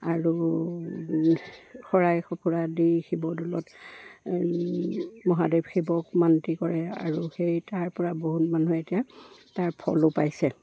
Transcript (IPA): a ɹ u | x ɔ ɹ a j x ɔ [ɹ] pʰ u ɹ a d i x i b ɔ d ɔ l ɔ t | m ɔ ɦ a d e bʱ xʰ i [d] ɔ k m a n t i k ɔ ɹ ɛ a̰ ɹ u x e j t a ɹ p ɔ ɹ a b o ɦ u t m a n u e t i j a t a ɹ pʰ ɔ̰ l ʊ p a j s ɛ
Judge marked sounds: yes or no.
no, no

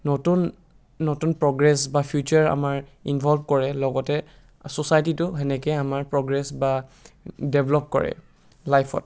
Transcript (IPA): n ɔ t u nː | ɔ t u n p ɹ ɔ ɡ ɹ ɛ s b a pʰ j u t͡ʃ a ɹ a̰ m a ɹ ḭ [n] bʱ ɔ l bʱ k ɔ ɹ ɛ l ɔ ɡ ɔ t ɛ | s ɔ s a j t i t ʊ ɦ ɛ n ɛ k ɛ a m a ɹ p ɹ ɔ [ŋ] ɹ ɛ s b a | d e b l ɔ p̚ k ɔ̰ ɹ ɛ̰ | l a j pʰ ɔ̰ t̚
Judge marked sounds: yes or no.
yes, no

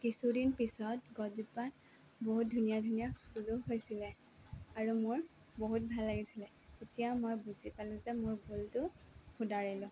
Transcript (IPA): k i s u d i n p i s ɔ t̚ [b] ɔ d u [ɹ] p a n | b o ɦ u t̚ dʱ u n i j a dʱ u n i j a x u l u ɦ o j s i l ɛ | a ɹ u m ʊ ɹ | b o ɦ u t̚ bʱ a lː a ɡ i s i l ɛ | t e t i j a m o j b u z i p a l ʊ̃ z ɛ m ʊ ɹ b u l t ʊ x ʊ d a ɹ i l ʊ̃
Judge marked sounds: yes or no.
no, no

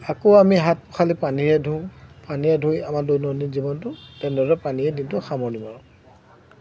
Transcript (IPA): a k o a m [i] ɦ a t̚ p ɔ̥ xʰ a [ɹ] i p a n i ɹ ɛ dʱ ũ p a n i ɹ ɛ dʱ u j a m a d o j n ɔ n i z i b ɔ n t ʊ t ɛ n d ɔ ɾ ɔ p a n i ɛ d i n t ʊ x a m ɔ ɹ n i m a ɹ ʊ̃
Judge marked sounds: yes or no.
yes, no

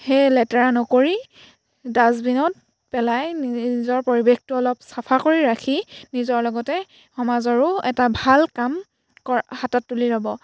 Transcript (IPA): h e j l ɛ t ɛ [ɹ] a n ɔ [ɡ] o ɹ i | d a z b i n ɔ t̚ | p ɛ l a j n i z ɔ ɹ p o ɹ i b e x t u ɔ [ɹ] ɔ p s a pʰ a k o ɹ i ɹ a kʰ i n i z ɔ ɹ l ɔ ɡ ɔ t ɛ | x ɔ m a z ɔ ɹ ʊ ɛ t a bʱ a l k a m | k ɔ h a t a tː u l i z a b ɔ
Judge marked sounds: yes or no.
yes, no, no

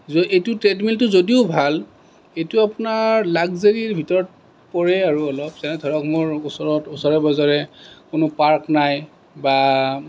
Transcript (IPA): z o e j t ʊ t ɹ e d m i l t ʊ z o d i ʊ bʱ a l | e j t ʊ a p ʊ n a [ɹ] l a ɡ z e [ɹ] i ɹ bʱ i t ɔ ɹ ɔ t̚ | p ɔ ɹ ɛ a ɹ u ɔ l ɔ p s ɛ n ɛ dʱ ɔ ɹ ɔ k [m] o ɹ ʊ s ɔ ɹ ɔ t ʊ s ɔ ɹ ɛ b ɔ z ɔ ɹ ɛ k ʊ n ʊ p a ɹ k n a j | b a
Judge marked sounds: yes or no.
yes, yes, yes

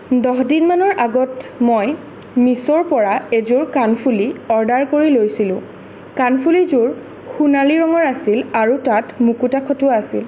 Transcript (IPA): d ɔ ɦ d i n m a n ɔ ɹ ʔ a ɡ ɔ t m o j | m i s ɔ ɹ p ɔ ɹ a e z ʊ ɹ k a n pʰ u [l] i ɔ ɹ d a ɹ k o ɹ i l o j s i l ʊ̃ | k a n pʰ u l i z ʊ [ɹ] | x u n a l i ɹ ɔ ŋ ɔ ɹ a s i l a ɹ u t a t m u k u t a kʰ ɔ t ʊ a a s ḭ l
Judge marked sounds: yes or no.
yes, yes

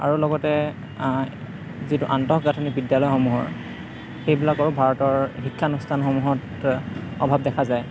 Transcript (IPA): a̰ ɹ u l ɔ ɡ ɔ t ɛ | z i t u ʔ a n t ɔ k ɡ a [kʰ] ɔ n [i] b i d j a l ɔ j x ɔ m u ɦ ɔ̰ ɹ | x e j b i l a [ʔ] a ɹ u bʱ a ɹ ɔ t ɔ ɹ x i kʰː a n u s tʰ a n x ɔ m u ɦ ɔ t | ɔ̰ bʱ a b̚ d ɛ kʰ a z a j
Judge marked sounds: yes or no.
no, yes, no

